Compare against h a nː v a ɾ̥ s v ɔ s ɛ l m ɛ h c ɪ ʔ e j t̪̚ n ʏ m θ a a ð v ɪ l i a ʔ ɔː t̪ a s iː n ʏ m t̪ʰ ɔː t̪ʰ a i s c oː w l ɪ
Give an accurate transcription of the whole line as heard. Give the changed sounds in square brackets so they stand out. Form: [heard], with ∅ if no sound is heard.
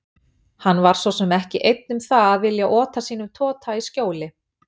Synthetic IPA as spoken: h a nː v a ɾ̥ s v ɔ s ɛ [∅] m ɛ h c ɪ ʔ e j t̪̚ n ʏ m θ a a ð v ɪ l [j] a ʔ ɔː t̪ a s iː n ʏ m t̪ʰ ɔː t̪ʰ a i s c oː w l ɪ

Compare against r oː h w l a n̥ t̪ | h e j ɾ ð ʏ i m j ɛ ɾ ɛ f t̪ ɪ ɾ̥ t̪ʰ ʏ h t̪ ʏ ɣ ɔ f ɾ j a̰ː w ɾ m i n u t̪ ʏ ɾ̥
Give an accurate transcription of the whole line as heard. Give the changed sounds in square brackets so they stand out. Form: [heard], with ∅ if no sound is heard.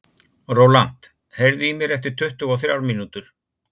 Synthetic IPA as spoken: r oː [∅] w l a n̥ t̪ | h e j ɾ ð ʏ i m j ɛ ɾ ɛ f t̪ ɪ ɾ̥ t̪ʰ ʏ h t̪ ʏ ɣ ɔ [θ] ɾ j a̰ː w ɾ m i n u t̪ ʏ ɾ̥

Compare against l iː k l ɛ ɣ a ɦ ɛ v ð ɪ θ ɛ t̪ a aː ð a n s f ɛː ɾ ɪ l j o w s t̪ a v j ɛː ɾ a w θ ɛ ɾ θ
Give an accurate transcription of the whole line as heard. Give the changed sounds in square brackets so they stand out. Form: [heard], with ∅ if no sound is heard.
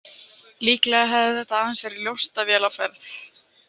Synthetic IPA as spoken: l iː k l ɛ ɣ a ɦ ɛ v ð ɪ θ ɛ t̪ a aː ð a n s [v] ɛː ɾ ɪ l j o w s t̪ a v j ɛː [l] a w [f] ɛ ɾ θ

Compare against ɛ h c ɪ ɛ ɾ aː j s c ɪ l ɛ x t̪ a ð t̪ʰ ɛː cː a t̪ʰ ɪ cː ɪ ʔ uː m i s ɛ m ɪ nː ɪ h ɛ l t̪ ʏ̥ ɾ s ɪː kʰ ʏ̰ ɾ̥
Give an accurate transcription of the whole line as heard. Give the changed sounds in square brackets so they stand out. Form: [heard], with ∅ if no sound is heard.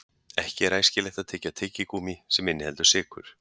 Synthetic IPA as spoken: ɛ h c ɪ ɛ ɾ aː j s c ɪ l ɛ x t̪ a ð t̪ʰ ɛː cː a t̪ʰ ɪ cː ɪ [k] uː m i s ɛ m ɪ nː ɪ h ɛ l t̪ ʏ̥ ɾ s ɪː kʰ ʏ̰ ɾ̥

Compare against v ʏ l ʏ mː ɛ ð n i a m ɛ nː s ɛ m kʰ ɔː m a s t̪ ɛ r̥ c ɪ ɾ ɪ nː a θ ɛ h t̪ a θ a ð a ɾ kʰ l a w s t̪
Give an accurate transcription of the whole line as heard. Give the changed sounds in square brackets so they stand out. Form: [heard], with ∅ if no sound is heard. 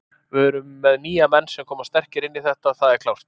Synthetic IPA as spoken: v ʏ [ɾ] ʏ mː ɛ ð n [iː] a m ɛ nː s ɛ m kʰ ɔː m a s t̪ ɛ r̥ c ɪ ɾ ɪ nː [i] θ ɛ h t̪ a θ a ð [ɛ] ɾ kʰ l a w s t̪

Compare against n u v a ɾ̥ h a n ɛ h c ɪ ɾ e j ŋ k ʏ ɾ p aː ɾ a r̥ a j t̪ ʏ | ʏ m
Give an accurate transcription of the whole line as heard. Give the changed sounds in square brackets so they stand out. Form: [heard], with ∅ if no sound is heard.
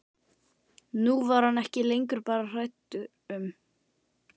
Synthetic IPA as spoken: n u v a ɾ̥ h a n ɛ h c ɪ [l] e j ŋ k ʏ ɾ p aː ɾ a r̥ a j t̪ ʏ | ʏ m

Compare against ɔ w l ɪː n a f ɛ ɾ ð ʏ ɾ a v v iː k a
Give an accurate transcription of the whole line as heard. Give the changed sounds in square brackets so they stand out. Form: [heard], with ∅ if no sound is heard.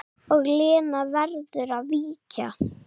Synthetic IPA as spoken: ɔ [ɣ] l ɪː n a [v] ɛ ɾ ð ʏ ɾ a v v iː [c] a

